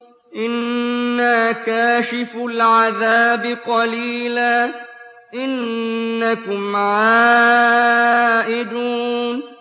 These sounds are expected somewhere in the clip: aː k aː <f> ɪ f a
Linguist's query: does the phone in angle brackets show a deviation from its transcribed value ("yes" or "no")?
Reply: yes